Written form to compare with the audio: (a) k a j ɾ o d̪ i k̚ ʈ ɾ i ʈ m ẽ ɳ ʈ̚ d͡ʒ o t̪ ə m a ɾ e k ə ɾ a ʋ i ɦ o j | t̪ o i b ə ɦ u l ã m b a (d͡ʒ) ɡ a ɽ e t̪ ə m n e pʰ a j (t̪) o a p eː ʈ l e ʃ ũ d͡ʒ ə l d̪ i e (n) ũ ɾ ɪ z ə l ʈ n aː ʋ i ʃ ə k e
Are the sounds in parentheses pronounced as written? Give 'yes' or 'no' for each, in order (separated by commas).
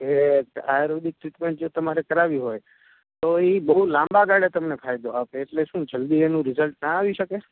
no, no, no, yes